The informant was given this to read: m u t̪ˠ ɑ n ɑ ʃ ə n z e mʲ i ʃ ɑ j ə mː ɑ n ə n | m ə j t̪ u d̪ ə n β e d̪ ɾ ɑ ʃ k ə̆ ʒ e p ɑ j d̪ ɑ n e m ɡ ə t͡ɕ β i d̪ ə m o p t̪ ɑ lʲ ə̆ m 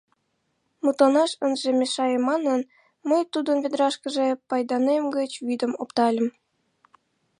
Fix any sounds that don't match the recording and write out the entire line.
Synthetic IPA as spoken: m u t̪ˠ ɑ n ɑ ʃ ə n ʒ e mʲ e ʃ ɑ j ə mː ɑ n ə n | m ə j t̪ u d̪ ə n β e d̪ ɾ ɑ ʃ k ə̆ ʒ e p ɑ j d̪ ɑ n e m ɡ ə t͡ɕ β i d̪ ə m o p t̪ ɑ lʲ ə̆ m